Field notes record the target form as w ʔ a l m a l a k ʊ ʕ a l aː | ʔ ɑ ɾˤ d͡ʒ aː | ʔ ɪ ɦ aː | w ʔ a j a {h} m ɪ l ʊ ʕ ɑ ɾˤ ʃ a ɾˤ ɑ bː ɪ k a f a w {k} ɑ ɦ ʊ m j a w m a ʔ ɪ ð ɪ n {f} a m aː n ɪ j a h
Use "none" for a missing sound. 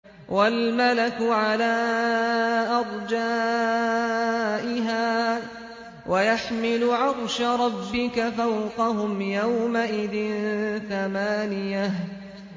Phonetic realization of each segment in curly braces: ħ, q, θ

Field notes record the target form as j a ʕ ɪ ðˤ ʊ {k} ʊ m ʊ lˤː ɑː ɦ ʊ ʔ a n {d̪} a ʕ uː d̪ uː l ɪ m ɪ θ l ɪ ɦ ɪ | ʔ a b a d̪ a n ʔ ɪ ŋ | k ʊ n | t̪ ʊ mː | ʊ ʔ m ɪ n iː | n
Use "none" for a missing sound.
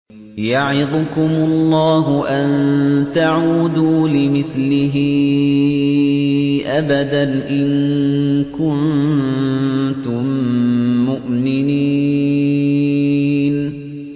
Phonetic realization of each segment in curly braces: k, t̪

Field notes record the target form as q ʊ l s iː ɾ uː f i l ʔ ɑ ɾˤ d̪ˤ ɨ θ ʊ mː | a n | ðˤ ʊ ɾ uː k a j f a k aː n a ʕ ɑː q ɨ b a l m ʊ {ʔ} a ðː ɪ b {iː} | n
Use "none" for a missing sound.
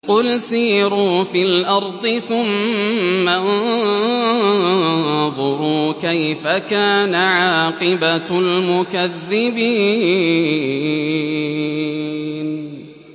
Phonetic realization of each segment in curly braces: k, iː

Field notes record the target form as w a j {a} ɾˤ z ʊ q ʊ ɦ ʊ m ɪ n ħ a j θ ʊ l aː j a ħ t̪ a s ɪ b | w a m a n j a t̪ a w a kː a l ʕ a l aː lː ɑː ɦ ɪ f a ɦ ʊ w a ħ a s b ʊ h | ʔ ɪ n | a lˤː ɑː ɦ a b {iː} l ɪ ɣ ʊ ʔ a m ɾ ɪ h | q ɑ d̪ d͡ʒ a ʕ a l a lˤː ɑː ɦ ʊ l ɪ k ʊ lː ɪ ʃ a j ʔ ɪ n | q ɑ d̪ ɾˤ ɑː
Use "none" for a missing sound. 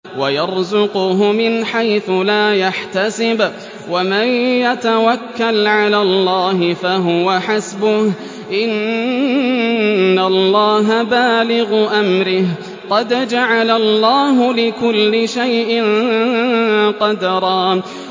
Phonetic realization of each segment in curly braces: ɑ, aː

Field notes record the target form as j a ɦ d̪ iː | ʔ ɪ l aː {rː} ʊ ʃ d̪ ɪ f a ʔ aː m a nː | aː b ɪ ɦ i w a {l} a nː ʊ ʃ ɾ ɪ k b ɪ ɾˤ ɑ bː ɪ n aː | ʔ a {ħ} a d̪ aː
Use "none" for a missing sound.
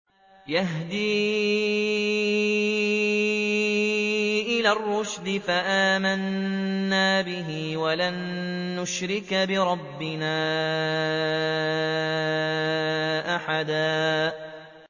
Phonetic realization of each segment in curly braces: rː, l, ħ

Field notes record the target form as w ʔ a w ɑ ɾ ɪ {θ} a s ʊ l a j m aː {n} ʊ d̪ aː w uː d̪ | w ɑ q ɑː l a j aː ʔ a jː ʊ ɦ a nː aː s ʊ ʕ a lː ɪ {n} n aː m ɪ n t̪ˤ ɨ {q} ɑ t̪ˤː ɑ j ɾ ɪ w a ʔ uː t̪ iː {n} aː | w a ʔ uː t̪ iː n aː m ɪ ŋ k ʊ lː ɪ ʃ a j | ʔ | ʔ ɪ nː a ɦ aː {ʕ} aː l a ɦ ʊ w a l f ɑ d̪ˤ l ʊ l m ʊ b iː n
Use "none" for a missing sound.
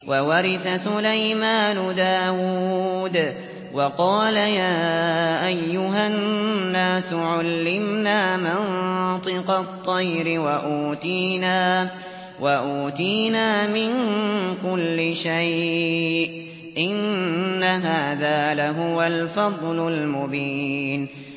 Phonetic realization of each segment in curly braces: θ, n, m, q, n, ð

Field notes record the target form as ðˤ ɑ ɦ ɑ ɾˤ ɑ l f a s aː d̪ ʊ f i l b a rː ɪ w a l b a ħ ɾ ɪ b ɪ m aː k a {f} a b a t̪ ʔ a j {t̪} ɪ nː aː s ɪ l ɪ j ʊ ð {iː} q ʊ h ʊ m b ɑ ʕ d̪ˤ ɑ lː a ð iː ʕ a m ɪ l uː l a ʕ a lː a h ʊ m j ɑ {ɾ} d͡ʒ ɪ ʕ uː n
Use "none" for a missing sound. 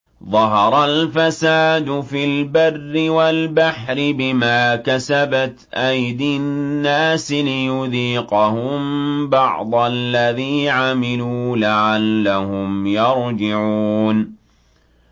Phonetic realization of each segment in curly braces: s, d̪, iː, ɾ

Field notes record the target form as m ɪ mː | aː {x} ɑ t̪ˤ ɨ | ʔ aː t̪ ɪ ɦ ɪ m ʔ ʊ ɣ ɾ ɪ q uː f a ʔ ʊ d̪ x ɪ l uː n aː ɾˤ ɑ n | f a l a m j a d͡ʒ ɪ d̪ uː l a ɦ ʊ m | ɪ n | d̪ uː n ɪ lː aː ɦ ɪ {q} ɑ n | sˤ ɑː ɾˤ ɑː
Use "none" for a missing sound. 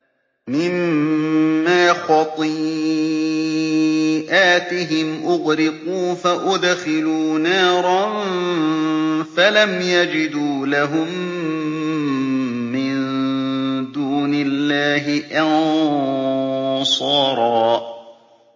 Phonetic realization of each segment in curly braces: x, ʔ

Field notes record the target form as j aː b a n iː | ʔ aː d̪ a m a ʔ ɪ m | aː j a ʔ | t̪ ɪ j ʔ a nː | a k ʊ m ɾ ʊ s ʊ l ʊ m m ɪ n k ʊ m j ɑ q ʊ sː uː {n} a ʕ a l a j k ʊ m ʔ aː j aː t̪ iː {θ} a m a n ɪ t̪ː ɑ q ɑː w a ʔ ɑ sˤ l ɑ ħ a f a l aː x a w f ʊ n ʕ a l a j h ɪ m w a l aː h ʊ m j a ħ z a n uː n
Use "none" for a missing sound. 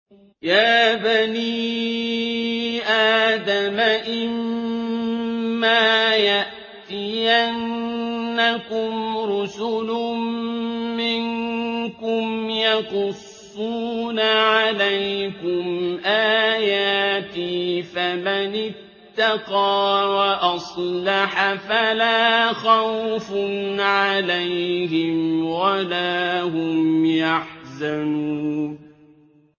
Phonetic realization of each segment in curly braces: n, f

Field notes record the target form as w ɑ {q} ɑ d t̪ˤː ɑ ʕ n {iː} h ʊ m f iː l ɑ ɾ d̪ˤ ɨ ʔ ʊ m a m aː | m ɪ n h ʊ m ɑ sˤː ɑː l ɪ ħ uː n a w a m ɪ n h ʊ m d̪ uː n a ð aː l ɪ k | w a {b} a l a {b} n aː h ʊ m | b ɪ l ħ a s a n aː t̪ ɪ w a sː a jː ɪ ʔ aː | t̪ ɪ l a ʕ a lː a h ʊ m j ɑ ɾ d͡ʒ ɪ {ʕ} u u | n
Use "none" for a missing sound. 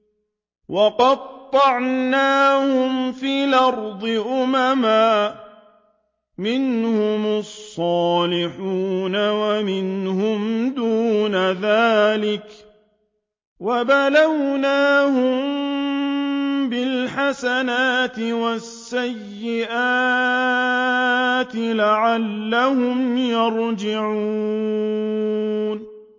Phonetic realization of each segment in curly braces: q, aː, b, w, ʕ

